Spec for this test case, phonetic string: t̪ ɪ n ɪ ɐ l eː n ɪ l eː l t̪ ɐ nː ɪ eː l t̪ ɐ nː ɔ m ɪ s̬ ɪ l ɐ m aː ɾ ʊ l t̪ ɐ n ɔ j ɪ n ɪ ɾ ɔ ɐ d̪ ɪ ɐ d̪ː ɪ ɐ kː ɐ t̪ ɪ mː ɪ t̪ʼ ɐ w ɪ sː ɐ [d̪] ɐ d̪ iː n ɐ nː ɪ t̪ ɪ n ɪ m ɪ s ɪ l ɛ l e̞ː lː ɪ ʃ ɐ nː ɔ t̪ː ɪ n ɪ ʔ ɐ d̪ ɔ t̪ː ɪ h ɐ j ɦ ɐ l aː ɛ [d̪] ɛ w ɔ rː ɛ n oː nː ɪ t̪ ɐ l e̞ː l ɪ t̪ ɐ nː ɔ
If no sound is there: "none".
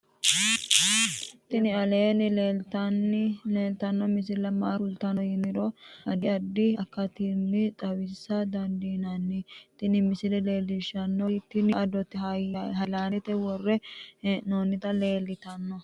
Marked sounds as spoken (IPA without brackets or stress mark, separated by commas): d̪, t̪